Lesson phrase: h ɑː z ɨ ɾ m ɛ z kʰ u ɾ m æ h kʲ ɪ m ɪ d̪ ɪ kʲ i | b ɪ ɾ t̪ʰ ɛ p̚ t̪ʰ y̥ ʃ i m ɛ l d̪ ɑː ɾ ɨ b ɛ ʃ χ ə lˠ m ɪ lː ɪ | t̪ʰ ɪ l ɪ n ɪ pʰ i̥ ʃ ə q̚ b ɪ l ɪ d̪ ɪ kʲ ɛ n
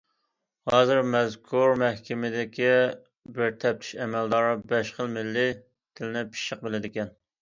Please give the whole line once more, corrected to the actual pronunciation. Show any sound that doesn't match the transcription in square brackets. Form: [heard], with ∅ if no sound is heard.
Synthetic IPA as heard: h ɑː z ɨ ɾ m ɛ z kʰ u ɾ m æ h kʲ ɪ m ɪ d̪ ɪ kʲ i | b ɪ ɾ t̪ʰ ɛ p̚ t̪ʰ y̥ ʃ [ɛ] m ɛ l d̪ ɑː ɾ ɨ b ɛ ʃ χ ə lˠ m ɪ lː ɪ | t̪ʰ ɪ l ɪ n ɪ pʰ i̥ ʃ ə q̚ b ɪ l ɪ d̪ ɪ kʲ ɛ n